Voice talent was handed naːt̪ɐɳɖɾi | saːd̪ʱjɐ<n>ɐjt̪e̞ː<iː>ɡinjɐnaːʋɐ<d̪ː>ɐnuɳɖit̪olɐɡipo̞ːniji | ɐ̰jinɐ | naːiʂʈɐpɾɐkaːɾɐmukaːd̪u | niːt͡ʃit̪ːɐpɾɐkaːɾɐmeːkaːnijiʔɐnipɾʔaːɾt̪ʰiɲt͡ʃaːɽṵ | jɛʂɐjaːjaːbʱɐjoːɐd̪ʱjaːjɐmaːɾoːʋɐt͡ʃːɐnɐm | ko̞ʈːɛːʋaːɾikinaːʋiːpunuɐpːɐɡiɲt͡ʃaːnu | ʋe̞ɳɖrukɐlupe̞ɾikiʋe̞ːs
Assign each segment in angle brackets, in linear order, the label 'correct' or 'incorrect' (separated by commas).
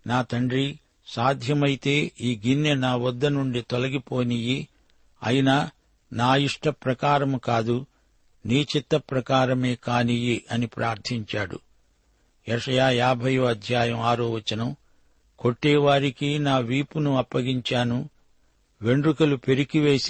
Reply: incorrect, correct, correct